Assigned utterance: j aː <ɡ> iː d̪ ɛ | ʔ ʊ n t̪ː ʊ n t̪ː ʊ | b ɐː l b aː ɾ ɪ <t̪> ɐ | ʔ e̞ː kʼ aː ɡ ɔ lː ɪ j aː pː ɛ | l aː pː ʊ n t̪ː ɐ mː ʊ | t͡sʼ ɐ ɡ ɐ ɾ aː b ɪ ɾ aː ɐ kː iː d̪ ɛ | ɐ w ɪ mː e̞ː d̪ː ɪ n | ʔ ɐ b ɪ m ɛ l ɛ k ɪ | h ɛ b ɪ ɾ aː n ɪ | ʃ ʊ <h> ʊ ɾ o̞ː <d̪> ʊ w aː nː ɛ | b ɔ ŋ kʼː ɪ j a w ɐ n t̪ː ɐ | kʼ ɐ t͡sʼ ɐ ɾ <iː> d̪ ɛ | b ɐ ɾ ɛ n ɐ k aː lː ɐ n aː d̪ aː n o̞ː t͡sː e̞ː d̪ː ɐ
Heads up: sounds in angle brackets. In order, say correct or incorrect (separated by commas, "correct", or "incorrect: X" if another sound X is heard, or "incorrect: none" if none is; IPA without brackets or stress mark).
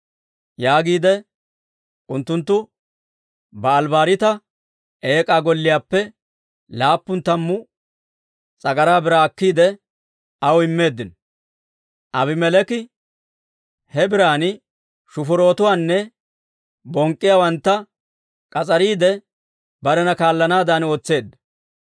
correct, correct, incorrect: f, incorrect: t̪, correct